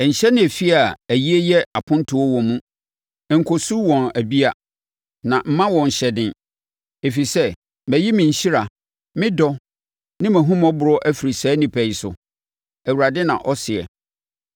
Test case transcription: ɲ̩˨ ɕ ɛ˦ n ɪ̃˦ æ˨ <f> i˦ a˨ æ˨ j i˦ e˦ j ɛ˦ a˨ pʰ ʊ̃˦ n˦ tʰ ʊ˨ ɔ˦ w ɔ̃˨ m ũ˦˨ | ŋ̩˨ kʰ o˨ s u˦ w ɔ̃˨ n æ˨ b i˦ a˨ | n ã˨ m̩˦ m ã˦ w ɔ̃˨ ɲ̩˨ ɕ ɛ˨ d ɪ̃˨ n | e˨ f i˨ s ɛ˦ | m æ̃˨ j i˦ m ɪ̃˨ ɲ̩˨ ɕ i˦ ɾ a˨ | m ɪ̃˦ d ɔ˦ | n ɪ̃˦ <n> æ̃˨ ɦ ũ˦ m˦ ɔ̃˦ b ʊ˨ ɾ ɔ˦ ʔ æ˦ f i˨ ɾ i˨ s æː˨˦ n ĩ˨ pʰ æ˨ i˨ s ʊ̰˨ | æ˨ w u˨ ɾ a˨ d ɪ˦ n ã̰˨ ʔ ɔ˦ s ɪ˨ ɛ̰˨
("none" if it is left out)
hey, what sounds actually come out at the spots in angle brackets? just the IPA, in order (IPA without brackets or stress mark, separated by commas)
f, m